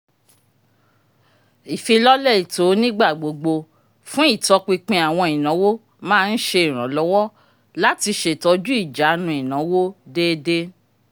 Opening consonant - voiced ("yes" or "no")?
no